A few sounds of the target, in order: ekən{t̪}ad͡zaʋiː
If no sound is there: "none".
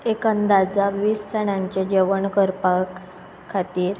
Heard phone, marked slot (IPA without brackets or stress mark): d̪